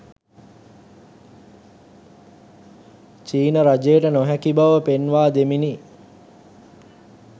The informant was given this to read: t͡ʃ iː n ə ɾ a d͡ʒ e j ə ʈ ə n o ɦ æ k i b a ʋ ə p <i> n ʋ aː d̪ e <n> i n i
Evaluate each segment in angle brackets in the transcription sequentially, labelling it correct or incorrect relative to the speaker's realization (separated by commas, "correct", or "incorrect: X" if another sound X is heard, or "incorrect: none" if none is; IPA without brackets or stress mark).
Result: incorrect: e, incorrect: m